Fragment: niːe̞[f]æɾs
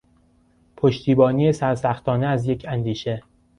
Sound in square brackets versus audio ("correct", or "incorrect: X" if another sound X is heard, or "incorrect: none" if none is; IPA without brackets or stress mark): incorrect: s